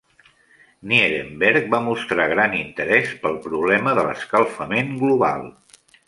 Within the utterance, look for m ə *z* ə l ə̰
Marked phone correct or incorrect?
incorrect